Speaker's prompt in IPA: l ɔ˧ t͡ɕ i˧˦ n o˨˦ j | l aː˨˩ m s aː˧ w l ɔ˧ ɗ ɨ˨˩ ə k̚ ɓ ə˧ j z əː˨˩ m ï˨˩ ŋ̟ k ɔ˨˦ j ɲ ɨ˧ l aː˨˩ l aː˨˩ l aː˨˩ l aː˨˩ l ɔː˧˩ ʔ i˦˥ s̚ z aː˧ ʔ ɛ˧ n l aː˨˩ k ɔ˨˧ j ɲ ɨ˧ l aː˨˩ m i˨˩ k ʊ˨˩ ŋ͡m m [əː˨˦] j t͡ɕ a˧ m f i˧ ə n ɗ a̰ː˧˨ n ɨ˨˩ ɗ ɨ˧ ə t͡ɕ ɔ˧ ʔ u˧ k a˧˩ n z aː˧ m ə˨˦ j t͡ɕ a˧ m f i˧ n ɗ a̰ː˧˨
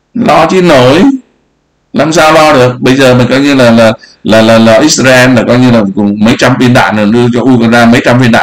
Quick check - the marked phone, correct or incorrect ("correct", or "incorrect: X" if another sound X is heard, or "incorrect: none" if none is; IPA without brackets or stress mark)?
incorrect: ə˨˦